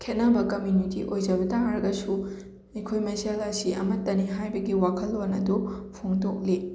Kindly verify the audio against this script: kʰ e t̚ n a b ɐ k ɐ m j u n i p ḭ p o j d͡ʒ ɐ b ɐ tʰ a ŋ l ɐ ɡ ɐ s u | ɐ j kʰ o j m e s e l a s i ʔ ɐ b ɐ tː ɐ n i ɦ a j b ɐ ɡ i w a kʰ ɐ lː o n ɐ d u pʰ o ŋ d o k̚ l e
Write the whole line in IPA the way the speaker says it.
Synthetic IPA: kʰ e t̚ n a b ɐ k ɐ m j u n i t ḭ ʔ o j d͡ʒ ɐ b ɐ t a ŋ ɾ ɐ ɡ ɐ s u | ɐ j kʰ o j m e s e l a s i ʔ ɐ m ɐ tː ɐ n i ɦ a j b ɐ ɡ i w a kʰ ɐ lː o n ɐ d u pʰ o ŋ d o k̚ l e